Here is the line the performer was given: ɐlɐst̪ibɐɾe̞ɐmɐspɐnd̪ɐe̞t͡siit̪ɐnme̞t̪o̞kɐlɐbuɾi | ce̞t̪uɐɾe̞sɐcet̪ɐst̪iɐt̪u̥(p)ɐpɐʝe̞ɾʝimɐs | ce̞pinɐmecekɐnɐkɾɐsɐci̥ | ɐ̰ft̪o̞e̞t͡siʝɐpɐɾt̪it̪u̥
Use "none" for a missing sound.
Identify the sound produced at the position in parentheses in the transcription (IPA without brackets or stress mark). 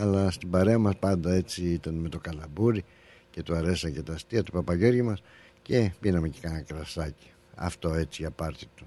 p